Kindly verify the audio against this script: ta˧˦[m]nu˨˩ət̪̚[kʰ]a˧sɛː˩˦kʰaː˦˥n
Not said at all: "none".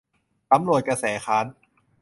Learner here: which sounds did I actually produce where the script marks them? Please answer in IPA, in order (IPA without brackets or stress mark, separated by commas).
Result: m, k